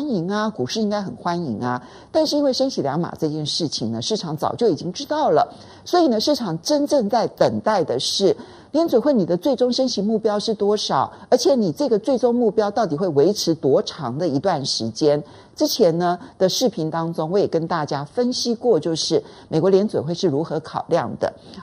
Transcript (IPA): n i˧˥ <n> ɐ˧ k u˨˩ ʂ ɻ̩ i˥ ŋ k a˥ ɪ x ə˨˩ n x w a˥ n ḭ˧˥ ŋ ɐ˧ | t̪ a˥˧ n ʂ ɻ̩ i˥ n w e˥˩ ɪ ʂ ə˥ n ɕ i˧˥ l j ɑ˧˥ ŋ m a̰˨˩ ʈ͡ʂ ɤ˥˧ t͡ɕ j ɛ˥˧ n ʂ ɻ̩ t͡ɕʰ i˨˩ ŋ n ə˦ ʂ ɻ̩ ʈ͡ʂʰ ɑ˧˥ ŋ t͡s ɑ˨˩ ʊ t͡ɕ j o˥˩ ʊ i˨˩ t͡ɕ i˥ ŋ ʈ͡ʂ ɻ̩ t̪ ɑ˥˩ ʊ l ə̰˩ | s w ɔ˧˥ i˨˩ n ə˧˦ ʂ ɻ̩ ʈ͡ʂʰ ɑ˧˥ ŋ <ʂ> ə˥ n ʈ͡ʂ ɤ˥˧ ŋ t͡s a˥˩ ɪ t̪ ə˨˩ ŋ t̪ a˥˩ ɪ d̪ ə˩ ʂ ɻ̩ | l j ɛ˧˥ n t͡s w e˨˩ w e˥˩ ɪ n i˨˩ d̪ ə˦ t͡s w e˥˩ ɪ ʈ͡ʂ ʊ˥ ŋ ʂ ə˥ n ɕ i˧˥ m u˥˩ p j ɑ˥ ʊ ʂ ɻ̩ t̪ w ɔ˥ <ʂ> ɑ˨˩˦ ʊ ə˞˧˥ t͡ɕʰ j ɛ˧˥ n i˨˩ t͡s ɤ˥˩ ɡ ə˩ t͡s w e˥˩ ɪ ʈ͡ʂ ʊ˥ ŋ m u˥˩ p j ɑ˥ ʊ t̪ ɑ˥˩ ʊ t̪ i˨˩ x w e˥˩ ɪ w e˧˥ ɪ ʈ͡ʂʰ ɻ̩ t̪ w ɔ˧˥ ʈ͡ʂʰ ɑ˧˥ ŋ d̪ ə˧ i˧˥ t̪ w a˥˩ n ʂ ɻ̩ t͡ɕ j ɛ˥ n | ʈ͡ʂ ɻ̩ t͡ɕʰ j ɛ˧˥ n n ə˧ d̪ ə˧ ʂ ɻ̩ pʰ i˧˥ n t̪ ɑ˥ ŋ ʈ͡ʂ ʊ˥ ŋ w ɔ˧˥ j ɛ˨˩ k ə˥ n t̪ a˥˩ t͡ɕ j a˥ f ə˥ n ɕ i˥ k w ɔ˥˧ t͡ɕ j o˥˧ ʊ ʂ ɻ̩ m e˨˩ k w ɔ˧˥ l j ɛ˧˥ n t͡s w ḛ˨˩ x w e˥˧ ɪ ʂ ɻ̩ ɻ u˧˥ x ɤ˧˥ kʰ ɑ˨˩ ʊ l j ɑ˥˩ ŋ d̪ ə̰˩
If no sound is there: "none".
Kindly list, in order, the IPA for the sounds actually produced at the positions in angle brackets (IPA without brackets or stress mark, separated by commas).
ŋ, ʈ͡ʂ, ʂ